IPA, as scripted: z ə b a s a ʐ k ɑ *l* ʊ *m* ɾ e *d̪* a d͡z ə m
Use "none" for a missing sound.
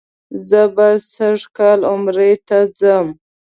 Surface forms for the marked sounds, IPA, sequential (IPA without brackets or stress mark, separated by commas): l, m, t̪